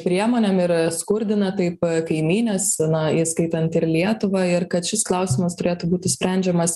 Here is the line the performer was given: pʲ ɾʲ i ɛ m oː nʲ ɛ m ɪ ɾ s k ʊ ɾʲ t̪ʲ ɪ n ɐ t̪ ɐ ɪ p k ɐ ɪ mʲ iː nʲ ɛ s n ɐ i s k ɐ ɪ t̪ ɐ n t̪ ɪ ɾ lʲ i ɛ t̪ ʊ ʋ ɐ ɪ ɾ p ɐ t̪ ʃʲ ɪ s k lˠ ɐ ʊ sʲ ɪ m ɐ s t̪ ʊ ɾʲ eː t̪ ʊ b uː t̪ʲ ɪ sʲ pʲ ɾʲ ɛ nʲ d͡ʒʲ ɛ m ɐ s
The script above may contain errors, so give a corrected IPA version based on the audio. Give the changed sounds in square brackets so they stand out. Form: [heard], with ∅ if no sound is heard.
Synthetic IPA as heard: pʲ ɾʲ i ɛ m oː nʲ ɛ m ɪ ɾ s k ʊ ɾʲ [d̪ʲ] ɪ n ɐ t̪ ɐ ɪ p k ɐ ɪ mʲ iː nʲ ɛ s n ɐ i s k ɐ ɪ t̪ ɐ n t̪ ɪ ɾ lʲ i ɛ t̪ ʊ ʋ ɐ ɪ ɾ [k] ɐ t̪ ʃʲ ɪ s k lˠ ɐ ʊ sʲ ɪ m ɐ s t̪ ʊ ɾʲ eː t̪ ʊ b uː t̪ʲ ɪ sʲ pʲ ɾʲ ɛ nʲ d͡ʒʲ ɛ m ɐ s